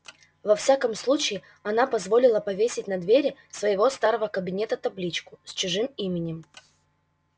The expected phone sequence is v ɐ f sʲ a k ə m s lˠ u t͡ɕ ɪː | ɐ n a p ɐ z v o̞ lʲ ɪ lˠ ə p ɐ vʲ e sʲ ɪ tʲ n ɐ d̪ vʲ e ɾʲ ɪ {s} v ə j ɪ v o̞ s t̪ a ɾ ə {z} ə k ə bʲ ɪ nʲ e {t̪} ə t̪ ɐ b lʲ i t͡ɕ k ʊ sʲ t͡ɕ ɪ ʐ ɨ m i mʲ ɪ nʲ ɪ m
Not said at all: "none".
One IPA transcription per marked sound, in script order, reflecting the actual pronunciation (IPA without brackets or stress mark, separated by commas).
s, v, t̪